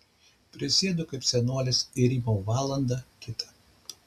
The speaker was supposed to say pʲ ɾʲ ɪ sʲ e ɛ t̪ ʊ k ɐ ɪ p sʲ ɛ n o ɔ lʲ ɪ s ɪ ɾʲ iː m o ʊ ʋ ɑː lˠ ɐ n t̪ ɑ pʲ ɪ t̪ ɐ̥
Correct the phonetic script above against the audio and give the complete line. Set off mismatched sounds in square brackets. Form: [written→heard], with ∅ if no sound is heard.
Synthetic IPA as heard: pʲ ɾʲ ɪ sʲ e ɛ [t̪→d̪] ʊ k ɐ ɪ p sʲ ɛ n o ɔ lʲ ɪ s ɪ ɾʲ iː m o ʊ ʋ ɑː lˠ ɐ n [t̪→d̪] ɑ [pʲ→kʲ] ɪ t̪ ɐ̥